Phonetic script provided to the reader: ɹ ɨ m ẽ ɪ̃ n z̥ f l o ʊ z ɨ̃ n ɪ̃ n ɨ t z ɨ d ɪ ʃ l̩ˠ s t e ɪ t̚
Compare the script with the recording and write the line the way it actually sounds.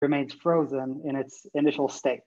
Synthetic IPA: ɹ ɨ m ẽ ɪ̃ n z̥ f ɹ o ʊ z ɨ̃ n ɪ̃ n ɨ t s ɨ n ɪ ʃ l̩ˠ s t e ɪ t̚